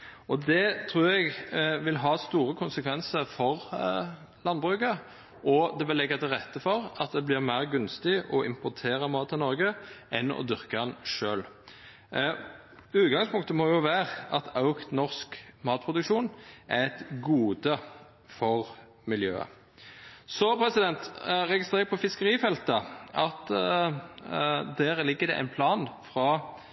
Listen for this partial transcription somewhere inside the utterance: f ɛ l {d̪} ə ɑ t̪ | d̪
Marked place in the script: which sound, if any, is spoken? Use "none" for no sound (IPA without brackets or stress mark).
t̪